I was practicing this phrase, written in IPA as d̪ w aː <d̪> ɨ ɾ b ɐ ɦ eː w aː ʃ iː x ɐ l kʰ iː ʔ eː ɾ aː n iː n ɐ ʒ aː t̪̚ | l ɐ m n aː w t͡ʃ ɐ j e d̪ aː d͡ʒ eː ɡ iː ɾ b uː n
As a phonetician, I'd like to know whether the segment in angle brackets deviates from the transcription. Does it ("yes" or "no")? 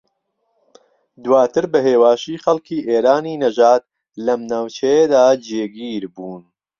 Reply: yes